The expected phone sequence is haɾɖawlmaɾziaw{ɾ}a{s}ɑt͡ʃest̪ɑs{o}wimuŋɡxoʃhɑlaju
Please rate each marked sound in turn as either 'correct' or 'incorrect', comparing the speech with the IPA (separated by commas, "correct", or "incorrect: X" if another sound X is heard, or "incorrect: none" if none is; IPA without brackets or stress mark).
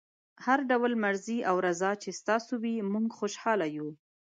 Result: correct, incorrect: z, correct